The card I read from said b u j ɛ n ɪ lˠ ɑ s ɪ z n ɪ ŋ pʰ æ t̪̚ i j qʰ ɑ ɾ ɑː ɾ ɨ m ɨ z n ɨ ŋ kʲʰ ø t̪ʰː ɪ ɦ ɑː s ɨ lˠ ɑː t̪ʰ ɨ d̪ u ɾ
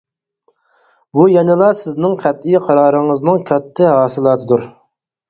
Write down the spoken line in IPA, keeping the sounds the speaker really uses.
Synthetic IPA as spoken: b u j ɛ n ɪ lˠ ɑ s ɪ z n ɪ ŋ qʰ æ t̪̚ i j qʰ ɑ ɾ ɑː ɾ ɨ ŋ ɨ z n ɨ ŋ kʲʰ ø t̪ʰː ɪ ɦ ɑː s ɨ lˠ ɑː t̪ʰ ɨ d̪ u ɾ

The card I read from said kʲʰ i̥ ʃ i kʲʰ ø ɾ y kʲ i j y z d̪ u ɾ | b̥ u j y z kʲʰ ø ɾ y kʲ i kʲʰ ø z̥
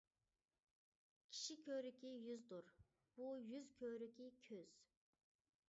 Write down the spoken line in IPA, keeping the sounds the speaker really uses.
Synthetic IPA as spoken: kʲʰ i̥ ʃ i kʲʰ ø ɾ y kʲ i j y z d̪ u ɾ | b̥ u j y z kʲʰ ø ɾ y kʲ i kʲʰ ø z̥

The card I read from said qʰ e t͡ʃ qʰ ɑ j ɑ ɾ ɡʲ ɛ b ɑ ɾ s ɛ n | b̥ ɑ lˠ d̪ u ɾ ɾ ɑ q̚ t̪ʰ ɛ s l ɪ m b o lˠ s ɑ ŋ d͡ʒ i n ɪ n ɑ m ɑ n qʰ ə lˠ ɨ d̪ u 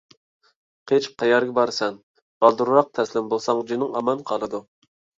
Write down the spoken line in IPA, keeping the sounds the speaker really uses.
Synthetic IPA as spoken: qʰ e t͡ʃ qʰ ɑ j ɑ ɾ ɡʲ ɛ b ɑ ɾ s ɛ n | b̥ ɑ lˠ d̪ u ɾ ɾ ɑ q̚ t̪ʰ ɛ s l ɪ m b o lˠ s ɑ ŋ d͡ʒ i n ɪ ŋ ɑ m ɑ n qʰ ɑ lˠ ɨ d̪ u

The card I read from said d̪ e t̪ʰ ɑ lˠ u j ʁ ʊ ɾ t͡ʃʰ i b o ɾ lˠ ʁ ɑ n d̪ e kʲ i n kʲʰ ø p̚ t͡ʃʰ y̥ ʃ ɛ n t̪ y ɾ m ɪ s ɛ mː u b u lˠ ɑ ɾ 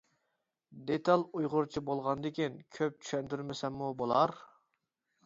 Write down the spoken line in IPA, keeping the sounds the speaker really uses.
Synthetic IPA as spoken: d̪ e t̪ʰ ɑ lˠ u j ʁ ʊ ɾ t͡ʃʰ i b o lˠ ʁ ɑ n d̪ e kʲ i n kʲʰ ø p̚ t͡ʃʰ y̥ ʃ ɛ n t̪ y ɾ m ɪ s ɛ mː u b o lˠ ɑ ɾ

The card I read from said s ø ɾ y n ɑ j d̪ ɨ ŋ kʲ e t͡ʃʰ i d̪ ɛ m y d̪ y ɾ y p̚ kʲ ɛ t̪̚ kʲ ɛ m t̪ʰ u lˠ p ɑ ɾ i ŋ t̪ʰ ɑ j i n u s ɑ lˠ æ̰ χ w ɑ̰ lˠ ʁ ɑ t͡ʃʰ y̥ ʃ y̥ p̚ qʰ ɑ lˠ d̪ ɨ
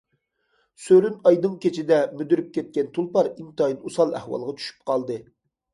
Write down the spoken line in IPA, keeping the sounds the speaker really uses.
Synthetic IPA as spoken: s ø ɾ y n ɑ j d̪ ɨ ŋ kʲ e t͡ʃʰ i d̪ ɛ m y d̪ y ɾ y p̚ kʲ ɛ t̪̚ kʲ ɛ n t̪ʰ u lˠ p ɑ ɾ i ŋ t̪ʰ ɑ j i n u s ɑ lˠ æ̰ h w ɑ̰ lˠ ʁ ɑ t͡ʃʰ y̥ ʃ y̥ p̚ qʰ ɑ lˠ d̪ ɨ

